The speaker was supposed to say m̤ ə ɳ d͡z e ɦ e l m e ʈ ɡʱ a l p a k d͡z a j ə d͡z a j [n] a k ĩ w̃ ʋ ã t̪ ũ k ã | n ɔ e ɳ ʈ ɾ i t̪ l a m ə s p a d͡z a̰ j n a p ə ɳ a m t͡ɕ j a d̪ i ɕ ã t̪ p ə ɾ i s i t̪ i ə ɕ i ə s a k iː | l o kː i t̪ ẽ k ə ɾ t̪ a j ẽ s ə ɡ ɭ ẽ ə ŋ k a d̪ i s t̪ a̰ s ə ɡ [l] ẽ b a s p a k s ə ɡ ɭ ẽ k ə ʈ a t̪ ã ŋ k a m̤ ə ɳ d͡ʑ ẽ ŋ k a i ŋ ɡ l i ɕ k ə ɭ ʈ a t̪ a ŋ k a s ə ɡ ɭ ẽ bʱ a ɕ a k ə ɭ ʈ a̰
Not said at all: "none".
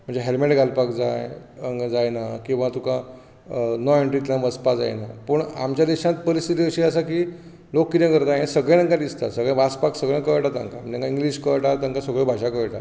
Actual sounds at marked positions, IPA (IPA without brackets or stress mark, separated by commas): n, ɭ